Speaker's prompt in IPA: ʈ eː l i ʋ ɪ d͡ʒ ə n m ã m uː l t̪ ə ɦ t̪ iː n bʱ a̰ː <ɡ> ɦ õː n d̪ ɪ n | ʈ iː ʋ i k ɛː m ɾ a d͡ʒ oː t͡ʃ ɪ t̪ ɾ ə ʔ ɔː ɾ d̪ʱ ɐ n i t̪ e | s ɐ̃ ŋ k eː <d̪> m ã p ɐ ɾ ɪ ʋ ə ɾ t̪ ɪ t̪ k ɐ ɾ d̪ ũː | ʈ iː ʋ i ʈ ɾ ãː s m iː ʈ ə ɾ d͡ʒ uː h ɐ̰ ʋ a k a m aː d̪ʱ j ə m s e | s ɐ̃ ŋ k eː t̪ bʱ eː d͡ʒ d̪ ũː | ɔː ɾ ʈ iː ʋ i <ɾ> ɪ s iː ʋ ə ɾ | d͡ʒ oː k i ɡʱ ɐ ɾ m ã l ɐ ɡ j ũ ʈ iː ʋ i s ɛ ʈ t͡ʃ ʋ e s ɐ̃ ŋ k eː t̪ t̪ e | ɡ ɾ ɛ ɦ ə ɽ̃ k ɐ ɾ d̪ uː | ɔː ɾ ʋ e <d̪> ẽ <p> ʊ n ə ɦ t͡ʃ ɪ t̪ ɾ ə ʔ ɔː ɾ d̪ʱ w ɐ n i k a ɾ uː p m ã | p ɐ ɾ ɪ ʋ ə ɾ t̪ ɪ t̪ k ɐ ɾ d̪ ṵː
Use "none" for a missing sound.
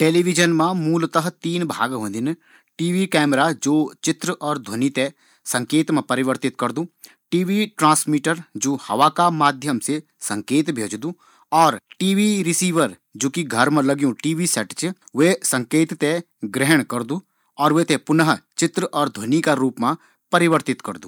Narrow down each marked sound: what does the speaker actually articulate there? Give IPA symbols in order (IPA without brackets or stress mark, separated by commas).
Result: ɡ, t̪, ɾ, t̪, p